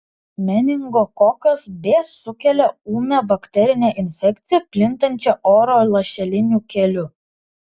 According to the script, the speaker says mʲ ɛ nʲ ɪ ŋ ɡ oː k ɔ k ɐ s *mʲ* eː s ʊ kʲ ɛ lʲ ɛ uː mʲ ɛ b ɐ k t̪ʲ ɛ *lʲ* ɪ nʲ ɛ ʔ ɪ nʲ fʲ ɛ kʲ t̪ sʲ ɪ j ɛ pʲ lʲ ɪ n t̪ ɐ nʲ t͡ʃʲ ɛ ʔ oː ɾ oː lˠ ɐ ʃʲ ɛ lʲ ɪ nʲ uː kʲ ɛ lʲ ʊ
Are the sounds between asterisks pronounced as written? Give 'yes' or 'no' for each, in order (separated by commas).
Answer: no, no